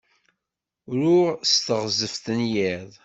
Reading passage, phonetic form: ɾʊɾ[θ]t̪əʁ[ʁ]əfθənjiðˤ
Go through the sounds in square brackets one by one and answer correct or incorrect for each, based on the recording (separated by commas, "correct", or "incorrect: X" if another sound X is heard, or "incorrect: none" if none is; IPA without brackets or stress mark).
incorrect: s, incorrect: z